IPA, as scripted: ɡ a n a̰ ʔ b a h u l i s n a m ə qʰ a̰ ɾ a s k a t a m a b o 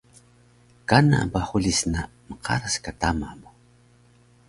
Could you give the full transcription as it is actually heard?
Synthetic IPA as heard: k a n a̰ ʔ b a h u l i s n a m ə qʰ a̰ ɾ a s k a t a m a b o

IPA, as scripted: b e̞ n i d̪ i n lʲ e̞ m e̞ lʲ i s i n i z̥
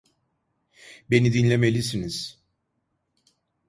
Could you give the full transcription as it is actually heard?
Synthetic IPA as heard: b e̞ n i d̪ i n lʲ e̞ m e̞ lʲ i s i n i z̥

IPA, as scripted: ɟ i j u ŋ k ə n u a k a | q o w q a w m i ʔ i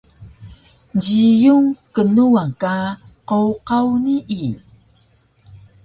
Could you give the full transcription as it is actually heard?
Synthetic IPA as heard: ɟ i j u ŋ k ə n u a k a | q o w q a w n i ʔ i

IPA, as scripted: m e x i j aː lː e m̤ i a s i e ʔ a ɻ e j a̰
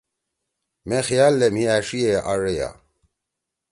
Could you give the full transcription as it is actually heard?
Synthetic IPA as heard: m e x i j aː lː e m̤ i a ʂ i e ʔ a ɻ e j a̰

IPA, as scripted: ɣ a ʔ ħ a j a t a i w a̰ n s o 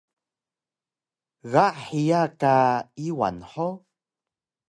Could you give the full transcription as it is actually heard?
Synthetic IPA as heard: ɣ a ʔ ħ i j a k a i w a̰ n ħ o

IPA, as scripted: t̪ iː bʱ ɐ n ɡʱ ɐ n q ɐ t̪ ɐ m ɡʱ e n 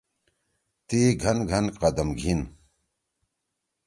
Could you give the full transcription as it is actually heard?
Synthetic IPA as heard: t̪ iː ɡʱ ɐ n ɡʱ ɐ n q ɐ d̪ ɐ m ɡʱ i n

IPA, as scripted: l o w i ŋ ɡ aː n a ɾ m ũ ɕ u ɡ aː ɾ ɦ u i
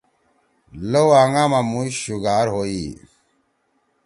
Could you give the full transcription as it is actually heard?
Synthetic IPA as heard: l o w a ŋ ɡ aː m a m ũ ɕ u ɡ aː ɾ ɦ o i

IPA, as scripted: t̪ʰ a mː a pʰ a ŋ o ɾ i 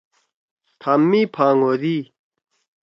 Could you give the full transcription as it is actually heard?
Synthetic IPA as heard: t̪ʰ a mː i pʰ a ŋ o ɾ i

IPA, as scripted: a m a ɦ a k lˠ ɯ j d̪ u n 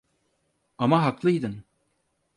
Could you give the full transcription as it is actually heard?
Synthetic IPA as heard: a m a ɦ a k lˠ ɯ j d̪ ɯ n

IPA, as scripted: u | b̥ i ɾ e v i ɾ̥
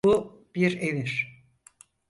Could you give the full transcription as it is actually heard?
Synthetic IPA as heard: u | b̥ i ɾ e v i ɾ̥

